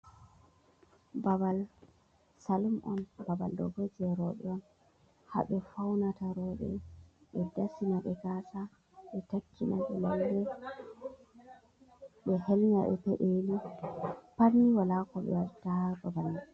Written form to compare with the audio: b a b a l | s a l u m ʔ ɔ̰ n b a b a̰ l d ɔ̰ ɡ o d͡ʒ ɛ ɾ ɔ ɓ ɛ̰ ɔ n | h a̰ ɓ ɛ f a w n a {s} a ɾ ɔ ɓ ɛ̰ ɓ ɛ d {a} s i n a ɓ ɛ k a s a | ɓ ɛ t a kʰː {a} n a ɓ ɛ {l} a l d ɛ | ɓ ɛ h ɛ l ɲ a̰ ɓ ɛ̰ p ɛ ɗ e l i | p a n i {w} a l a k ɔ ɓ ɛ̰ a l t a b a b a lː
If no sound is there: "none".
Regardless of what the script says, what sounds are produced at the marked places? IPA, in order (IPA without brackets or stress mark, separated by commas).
t, a, i, l, w